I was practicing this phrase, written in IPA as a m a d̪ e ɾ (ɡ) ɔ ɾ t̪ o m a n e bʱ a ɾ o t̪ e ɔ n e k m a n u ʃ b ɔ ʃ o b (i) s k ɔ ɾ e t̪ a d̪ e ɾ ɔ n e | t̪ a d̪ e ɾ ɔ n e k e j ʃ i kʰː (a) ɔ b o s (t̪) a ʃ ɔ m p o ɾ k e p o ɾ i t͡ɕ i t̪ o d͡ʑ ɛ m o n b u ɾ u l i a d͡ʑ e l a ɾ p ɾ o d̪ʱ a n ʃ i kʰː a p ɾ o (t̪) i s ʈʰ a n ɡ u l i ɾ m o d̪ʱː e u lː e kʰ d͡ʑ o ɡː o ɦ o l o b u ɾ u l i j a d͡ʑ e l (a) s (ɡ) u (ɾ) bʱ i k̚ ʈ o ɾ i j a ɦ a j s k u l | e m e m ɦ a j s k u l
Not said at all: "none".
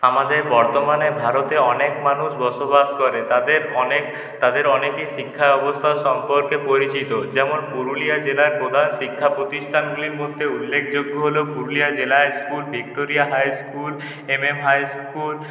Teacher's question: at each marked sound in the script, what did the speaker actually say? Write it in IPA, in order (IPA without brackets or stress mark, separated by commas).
b, a, a, t̪ʰ, t̪, a, k, l